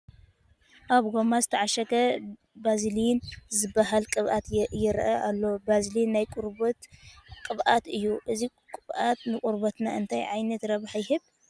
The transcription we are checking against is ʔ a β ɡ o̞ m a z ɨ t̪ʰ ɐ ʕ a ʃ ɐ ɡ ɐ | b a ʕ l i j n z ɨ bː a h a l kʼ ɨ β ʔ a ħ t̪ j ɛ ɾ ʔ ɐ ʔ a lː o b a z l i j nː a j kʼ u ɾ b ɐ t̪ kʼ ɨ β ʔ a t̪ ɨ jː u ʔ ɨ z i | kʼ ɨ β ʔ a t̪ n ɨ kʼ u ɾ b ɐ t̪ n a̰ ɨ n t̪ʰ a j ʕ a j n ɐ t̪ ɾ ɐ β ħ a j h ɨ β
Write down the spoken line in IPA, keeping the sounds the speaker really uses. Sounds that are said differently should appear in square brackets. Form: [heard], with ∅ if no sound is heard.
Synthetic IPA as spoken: ʔ a β ɡ o̞ m a z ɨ t̪ʰ ɐ ʕ a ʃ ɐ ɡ ɐ | b a [z] l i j n z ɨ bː a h a l kʼ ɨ β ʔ a [∅] t̪ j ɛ ɾ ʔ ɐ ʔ a lː o b a z l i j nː a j kʼ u ɾ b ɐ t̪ kʼ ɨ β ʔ a t̪ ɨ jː u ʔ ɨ z i | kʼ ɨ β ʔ a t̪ n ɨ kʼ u ɾ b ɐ t̪ n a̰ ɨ n t̪ʰ a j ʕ a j n ɐ t̪ ɾ ɐ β ħ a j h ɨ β